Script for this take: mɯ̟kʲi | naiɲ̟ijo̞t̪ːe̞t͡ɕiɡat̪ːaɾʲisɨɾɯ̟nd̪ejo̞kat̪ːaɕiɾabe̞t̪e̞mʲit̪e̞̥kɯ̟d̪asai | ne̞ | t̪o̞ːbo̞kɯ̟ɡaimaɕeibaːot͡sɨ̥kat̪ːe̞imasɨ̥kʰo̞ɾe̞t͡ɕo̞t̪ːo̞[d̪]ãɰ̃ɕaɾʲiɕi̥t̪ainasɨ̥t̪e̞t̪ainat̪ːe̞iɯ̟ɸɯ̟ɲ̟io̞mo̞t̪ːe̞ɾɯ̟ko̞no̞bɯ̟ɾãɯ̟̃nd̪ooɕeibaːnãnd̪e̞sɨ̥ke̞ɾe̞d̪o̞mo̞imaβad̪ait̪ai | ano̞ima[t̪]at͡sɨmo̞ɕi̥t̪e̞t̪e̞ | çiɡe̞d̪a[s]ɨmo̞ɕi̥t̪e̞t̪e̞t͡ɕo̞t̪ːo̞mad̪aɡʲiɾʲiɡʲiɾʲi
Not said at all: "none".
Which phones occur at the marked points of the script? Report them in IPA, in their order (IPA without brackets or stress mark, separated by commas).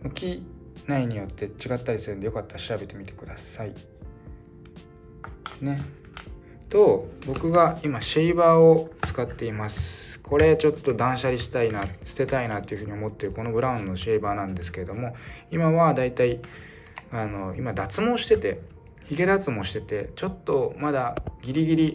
d̪, d̪, t͡s